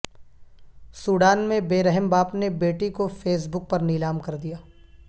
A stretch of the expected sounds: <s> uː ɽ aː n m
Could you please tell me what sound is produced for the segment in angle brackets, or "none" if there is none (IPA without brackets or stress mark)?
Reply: s